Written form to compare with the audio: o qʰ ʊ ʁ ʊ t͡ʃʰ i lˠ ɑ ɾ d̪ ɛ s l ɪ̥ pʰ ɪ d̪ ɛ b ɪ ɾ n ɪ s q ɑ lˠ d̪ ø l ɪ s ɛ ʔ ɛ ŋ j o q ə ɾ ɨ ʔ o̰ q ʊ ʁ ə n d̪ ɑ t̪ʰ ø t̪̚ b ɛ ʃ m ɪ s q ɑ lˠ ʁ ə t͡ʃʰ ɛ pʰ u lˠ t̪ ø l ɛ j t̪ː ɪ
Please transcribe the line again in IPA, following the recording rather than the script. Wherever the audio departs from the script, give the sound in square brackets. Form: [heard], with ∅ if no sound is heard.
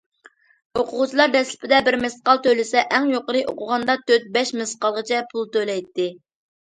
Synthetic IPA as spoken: o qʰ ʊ ʁ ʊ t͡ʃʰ i lˠ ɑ ɾ d̪ ɛ s l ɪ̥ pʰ ɪ d̪ ɛ b ɪ ɾ [m] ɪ s q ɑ lˠ [t̪] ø l ɪ s ɛ ʔ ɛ ŋ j o q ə ɾ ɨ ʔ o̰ q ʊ ʁ [ɑ] n d̪ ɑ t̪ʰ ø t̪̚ b ɛ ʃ m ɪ s q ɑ lˠ ʁ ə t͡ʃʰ ɛ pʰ u lˠ t̪ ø l ɛ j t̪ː ɪ

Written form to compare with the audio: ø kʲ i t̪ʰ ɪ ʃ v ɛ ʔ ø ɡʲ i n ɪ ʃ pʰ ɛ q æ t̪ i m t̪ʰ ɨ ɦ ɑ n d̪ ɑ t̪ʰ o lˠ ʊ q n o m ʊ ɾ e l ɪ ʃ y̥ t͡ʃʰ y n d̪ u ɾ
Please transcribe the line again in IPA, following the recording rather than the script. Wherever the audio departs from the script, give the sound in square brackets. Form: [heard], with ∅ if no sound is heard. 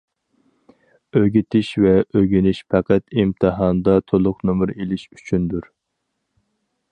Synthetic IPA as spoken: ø [ɡʲ] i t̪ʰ ɪ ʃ v ɛ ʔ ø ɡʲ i n ɪ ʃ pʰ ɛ q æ t̪ i m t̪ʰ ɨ ɦ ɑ n d̪ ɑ t̪ʰ o lˠ ʊ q n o m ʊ ɾ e l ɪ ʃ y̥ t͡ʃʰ y n d̪ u ɾ

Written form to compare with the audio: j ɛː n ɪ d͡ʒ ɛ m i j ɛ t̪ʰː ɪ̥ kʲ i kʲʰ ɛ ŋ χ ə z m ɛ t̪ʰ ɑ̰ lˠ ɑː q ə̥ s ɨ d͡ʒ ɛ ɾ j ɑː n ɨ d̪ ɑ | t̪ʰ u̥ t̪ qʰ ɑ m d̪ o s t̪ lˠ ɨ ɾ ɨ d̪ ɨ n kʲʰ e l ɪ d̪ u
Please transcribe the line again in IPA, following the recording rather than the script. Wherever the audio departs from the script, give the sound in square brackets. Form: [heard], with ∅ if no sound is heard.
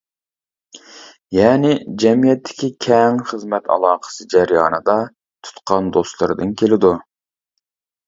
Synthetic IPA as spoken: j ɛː n ɪ d͡ʒ ɛ m i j ɛ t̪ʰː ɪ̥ kʲ i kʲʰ ɛ ŋ χ ə z m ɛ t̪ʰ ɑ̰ lˠ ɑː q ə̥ s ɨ d͡ʒ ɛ ɾ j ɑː n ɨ d̪ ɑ | t̪ʰ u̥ t̪ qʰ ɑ [n] d̪ o s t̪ lˠ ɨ ɾ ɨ d̪ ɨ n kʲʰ e l ɪ d̪ u

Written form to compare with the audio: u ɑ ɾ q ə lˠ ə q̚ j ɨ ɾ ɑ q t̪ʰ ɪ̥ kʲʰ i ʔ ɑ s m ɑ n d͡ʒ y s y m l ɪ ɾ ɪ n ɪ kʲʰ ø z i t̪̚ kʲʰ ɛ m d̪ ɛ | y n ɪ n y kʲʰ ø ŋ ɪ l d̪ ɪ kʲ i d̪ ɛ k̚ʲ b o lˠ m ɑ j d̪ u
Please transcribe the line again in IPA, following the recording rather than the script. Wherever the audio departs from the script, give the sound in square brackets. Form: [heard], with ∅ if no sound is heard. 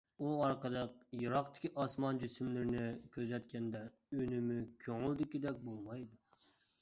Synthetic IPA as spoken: u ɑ ɾ q ə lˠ ə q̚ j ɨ ɾ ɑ q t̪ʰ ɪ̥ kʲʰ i ʔ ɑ s m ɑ n d͡ʒ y s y m l ɪ ɾ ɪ n ɪ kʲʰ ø z [ɛ] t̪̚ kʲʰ ɛ [n] d̪ ɛ | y n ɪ [m] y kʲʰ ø ŋ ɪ l d̪ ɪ kʲ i d̪ ɛ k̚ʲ b o lˠ m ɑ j d̪ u

